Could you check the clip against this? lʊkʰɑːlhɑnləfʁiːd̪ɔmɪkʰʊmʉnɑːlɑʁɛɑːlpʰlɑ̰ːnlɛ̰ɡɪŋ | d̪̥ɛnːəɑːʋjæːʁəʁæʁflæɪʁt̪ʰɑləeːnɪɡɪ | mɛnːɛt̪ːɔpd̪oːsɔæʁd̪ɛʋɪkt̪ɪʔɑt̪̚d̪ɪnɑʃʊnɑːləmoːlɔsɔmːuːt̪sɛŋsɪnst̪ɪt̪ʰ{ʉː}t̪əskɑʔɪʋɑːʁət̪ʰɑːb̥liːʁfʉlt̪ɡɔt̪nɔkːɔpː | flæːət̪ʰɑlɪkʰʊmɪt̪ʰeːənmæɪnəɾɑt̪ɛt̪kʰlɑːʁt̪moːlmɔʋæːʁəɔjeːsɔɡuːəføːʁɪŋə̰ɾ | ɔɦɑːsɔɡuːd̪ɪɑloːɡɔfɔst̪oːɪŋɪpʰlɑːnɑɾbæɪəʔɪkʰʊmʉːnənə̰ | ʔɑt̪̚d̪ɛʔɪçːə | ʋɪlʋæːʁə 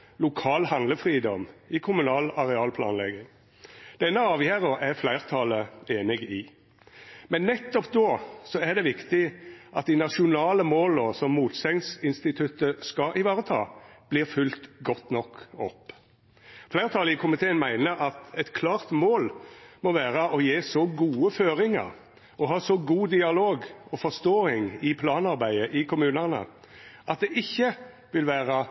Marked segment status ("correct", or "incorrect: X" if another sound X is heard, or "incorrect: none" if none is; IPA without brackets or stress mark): incorrect: ʉ